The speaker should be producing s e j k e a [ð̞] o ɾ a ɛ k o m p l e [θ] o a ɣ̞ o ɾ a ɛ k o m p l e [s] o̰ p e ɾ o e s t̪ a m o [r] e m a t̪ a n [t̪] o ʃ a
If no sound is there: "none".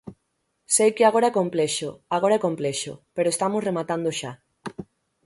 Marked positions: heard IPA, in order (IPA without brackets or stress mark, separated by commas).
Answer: ɣ̞, ʃ, ʃ, r, d̪